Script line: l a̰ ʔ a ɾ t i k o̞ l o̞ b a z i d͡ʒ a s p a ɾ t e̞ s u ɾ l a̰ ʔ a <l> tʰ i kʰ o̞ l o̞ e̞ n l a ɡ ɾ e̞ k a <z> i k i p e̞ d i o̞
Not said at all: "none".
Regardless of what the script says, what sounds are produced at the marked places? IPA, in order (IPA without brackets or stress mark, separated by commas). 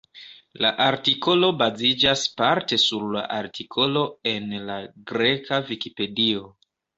ɾ, v